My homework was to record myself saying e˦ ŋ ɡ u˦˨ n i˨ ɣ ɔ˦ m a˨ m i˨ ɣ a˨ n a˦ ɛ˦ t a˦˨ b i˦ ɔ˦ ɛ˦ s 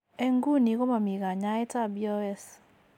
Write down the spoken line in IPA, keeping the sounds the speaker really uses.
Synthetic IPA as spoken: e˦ ŋ ɡ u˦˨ n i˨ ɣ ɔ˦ m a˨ m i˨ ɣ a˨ ɲ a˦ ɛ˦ t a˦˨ b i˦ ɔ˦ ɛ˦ s